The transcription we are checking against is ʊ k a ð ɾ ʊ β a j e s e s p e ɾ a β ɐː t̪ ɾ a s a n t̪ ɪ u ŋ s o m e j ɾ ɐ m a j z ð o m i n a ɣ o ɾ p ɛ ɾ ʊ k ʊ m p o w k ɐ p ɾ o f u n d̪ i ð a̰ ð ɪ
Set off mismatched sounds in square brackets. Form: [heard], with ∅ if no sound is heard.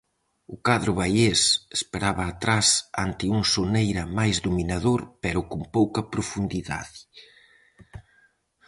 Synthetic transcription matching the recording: ʊ k a ð ɾ ʊ β a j e s e s p e ɾ a β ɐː t̪ ɾ a s a n t̪ ɪ u ŋ s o [n] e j ɾ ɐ m a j z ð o m i n a [ð] o ɾ p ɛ ɾ ʊ k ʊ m p o w k ɐ p ɾ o f u n d̪ i ð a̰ ð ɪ